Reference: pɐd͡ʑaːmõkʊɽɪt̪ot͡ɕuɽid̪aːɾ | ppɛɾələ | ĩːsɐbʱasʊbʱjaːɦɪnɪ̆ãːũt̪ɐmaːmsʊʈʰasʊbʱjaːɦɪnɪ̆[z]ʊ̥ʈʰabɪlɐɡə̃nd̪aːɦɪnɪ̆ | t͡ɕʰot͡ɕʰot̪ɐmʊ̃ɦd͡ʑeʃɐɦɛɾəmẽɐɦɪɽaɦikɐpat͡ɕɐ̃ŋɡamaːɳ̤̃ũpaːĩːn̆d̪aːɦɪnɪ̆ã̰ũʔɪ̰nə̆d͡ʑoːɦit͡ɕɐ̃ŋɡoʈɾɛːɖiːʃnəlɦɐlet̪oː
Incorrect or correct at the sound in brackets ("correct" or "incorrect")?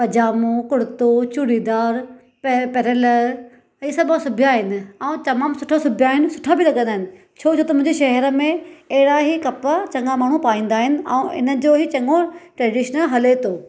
incorrect